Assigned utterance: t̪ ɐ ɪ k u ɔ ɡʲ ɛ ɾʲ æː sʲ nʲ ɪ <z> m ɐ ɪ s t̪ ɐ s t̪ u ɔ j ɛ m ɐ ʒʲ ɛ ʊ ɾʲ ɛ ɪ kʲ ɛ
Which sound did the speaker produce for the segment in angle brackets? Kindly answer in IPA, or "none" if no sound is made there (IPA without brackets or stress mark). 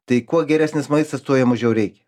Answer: s